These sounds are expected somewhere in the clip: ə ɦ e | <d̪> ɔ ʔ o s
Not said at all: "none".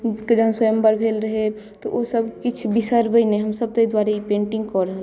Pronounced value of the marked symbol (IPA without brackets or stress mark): t̪